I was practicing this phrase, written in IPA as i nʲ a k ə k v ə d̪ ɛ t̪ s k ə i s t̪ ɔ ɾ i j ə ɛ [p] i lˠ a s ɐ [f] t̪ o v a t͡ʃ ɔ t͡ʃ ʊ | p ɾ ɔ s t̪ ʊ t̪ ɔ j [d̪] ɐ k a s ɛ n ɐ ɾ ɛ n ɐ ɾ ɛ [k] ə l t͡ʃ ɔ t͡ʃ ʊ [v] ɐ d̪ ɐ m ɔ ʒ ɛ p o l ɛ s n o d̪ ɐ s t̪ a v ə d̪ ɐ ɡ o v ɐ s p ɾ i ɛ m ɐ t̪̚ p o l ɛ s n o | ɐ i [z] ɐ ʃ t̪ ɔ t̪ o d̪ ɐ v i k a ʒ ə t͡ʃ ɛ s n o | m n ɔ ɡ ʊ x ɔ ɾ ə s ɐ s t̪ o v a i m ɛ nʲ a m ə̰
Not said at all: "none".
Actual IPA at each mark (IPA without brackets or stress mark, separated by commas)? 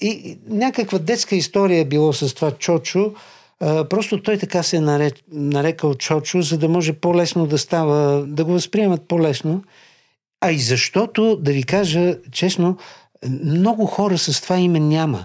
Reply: b, s, t̪, k, z, z